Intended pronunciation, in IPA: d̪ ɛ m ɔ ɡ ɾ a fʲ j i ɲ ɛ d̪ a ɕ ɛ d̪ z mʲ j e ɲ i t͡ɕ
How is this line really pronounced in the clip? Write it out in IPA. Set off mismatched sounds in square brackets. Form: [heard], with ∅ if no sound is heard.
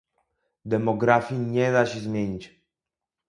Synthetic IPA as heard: d̪ ɛ m ɔ ɡ ɾ a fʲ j i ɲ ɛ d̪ a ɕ ɛ [∅] z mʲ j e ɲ i t͡ɕ